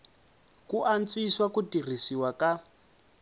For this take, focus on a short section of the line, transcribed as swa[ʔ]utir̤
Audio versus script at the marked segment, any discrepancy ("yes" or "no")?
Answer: yes